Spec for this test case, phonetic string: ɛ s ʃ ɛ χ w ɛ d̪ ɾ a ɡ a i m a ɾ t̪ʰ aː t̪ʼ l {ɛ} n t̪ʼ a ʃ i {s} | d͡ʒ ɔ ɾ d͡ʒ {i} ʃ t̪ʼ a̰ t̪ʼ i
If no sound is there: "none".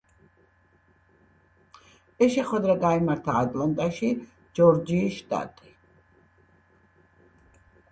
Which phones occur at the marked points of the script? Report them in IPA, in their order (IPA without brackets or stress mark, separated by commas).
a, none, iː